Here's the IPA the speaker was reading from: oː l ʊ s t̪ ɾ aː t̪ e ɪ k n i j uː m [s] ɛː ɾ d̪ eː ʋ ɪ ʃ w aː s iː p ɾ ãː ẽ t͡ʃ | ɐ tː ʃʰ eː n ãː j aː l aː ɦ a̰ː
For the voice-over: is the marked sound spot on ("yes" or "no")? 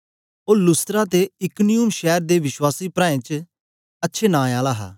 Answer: no